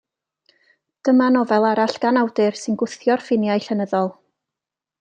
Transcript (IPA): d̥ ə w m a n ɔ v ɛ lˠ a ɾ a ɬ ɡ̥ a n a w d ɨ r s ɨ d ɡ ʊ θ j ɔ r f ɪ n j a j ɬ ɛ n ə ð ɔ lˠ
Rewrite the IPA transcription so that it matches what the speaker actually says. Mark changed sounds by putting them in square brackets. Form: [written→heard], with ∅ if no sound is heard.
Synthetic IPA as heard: d̥ ə [w→∅] m a n ɔ v ɛ lˠ a ɾ a ɬ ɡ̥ a n a w d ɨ r s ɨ [d→n] ɡ ʊ θ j ɔ r f ɪ n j a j ɬ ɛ n ə ð ɔ lˠ